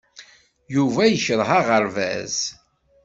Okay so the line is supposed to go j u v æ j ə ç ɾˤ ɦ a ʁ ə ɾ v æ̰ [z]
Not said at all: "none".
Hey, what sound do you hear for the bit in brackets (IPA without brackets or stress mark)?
z